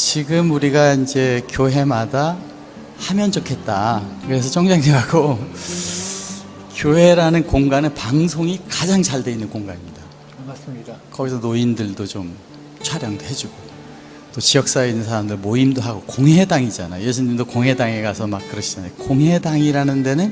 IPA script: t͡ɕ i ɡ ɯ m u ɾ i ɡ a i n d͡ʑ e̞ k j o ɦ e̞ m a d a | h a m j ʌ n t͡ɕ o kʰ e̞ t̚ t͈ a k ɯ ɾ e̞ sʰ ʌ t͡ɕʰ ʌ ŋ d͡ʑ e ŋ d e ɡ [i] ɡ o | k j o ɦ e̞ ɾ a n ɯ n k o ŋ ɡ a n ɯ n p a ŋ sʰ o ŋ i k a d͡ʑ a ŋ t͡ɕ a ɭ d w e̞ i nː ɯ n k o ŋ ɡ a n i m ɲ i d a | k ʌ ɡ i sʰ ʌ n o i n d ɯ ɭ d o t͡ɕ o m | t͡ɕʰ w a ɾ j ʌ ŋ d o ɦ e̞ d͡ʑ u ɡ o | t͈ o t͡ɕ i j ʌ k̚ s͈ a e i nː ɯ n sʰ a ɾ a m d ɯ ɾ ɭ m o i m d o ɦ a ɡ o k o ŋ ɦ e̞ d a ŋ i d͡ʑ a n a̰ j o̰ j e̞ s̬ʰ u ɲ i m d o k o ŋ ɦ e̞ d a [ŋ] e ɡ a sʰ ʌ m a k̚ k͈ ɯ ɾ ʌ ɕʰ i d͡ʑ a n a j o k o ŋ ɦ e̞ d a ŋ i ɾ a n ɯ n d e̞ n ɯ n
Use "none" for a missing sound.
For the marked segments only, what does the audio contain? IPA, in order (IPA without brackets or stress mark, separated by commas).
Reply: a, ŋ